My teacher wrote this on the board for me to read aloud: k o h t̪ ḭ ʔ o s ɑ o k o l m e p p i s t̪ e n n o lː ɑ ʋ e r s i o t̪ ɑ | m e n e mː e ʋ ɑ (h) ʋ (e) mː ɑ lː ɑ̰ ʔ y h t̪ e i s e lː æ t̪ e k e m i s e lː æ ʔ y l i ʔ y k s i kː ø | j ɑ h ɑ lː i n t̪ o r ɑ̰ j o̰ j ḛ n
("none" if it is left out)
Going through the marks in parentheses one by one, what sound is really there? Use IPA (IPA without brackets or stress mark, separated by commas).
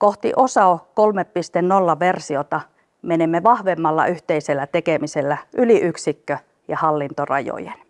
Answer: h, e